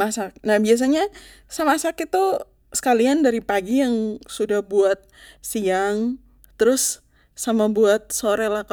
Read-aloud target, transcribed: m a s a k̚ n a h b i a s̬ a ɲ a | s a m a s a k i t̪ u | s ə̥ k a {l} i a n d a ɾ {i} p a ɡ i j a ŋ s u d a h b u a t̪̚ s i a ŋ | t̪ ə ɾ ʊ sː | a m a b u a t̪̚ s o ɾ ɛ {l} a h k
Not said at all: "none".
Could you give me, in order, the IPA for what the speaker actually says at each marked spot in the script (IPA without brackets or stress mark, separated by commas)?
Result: l, i, l